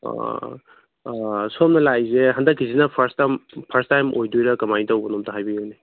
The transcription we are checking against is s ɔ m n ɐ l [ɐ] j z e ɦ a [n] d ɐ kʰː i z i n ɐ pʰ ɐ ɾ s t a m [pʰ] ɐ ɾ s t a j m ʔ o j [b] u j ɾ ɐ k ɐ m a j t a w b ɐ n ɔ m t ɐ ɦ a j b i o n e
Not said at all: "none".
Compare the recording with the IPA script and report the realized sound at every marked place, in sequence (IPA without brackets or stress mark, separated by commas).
a, n, pʰ, d